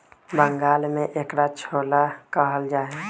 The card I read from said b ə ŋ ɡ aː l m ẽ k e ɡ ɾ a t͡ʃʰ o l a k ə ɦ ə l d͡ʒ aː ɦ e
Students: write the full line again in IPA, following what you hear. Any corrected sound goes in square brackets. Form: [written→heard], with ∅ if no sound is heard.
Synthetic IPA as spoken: b ə ŋ ɡ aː l m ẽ [k→ʔ] e [ɡ→k] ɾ a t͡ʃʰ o l a k ə ɦ ə l d͡ʒ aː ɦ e